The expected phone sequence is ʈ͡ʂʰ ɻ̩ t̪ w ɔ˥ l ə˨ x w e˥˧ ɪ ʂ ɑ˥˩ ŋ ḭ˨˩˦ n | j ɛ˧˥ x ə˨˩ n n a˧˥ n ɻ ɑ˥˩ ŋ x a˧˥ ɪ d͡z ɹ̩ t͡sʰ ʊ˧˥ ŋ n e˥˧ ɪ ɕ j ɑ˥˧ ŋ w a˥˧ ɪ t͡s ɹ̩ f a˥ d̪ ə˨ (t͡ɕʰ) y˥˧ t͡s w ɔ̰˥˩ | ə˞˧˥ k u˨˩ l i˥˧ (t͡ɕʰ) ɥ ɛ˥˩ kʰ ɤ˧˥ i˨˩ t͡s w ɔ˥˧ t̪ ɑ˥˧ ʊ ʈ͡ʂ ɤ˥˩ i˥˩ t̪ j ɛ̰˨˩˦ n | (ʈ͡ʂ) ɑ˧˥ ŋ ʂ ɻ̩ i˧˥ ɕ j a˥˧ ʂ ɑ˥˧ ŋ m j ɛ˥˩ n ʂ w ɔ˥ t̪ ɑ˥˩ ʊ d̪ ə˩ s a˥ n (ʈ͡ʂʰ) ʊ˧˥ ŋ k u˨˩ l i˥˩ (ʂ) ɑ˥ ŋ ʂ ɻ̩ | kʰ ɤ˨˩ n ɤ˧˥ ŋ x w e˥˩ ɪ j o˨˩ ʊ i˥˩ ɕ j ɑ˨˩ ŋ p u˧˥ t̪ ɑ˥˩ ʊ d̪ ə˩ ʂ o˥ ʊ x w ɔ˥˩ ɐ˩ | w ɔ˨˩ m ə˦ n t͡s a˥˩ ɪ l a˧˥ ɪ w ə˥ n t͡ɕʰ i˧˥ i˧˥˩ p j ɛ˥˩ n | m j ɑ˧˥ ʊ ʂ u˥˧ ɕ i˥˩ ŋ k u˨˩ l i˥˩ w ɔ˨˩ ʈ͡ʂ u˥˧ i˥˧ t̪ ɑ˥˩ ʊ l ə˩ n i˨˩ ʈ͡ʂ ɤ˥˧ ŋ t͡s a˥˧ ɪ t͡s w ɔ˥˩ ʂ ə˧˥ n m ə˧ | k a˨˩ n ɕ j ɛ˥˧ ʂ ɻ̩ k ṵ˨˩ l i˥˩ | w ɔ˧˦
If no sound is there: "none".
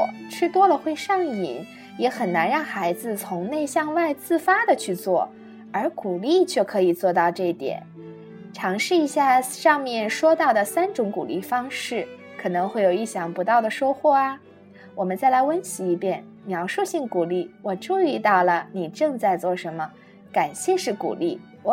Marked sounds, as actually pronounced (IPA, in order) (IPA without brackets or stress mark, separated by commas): t͡ɕʰ, t͡ɕʰ, ʈ͡ʂʰ, ʈ͡ʂ, f